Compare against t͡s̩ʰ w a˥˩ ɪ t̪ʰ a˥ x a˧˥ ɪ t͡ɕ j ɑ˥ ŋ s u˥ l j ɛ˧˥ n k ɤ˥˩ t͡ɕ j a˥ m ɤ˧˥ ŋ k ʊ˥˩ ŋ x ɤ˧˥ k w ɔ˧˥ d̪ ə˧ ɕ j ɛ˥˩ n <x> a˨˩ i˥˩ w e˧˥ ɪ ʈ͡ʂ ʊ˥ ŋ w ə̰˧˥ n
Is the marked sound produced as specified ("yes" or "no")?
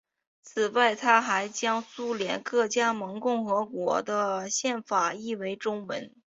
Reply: no